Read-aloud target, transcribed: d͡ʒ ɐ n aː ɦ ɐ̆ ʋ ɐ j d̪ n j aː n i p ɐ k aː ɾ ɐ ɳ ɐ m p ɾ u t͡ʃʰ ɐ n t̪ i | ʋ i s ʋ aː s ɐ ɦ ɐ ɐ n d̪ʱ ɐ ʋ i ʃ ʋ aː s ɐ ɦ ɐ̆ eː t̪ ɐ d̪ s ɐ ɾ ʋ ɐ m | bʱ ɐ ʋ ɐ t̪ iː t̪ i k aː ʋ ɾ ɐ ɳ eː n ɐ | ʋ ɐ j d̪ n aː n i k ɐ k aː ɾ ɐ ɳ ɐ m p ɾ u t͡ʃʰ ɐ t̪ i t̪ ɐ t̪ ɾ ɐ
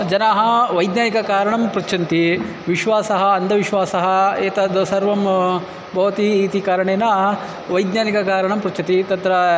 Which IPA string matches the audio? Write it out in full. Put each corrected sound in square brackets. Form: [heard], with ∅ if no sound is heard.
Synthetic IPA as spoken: d͡ʒ ɐ n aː ɦ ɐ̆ ʋ ɐ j d̪ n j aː n i [k] ɐ k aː ɾ ɐ ɳ ɐ m p ɾ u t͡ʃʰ ɐ n t̪ i | ʋ i [ʃ] ʋ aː s ɐ ɦ ɐ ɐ n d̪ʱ ɐ ʋ i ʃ ʋ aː s ɐ ɦ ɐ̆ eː t̪ ɐ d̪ s ɐ ɾ ʋ ɐ m | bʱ ɐ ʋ ɐ t̪ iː t̪ i k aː [∅] ɾ ɐ ɳ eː n ɐ | ʋ ɐ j d̪ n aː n i k ɐ k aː ɾ ɐ ɳ ɐ m p ɾ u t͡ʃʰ ɐ t̪ i t̪ ɐ t̪ ɾ ɐ